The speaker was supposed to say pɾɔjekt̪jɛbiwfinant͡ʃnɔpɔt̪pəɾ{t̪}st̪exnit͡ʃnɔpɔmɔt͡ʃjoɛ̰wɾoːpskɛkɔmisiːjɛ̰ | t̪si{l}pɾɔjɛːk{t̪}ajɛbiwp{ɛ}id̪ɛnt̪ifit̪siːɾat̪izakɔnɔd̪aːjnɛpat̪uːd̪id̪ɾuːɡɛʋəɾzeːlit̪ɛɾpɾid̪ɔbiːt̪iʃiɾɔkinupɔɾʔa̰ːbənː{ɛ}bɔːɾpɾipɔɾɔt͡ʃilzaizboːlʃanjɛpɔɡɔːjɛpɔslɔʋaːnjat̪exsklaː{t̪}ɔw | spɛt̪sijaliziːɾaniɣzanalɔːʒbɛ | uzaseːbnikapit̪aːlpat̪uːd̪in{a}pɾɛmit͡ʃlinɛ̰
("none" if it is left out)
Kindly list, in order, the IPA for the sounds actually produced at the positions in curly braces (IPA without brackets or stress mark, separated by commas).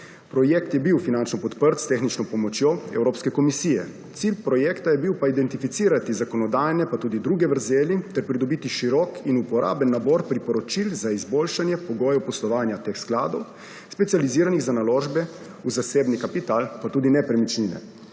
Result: t̪, l, t̪, a, a, d̪, ɛ